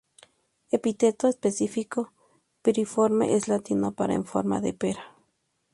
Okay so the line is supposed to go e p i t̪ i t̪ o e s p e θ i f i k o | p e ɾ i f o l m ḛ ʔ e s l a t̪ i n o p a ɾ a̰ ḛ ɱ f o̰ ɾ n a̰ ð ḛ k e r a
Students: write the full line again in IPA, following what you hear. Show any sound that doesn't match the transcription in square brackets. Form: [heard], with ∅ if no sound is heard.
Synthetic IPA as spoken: e p i t̪ [e] t̪ o e s p e [s] i f i k o | p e ɾ i f o [ɾ] m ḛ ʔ e s l a t̪ i n o p a ɾ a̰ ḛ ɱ f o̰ ɾ [m] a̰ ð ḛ [p] e [ɾ] a